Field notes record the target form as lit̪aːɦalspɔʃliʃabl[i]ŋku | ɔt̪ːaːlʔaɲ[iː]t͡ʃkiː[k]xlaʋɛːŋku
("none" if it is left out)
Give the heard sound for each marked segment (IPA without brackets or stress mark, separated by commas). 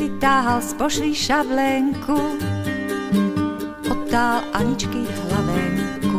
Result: ɛ, i, none